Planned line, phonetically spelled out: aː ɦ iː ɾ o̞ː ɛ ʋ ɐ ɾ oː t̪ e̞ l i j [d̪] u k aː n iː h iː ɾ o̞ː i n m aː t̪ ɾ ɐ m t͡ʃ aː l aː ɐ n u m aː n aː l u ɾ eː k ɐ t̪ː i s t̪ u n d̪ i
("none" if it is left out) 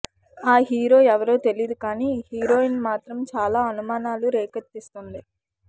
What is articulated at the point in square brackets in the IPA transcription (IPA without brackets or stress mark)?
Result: d̪